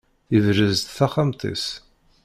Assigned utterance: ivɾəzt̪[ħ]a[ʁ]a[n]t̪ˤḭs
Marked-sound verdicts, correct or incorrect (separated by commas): incorrect, incorrect, incorrect